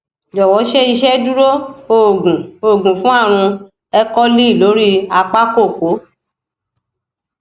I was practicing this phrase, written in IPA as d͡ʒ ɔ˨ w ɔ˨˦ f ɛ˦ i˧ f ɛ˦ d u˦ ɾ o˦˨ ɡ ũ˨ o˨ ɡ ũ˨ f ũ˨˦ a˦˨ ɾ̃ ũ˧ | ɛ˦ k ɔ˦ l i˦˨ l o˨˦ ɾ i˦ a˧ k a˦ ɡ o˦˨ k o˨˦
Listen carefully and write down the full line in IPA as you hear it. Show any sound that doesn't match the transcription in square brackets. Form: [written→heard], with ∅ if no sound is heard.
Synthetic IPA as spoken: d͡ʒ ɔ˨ w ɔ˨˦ [f→ʃ] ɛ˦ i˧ [f→ʃ] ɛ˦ d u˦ ɾ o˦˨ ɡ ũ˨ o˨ ɡ ũ˨ f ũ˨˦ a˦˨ ɾ̃ ũ˧ | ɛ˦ k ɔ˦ l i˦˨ l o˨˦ ɾ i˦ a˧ [k→k͡p] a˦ [ɡ→k] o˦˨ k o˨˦